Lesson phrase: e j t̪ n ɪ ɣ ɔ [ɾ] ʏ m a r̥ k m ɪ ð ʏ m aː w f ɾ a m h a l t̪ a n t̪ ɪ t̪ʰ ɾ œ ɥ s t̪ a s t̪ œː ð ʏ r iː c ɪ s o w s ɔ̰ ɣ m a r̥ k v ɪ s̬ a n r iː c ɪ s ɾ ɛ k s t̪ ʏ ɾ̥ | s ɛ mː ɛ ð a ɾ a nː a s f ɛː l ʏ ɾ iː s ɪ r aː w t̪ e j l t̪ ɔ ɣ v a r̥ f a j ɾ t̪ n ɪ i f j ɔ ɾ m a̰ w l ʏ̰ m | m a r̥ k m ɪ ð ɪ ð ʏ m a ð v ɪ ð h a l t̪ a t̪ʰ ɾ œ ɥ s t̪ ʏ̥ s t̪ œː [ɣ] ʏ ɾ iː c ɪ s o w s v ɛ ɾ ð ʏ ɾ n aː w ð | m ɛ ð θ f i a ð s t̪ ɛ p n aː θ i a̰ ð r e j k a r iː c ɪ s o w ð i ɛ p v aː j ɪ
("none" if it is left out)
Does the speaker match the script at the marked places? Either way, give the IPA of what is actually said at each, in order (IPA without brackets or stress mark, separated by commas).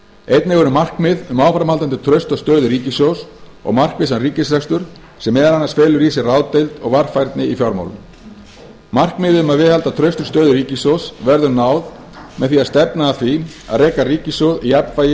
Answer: ɾ, ð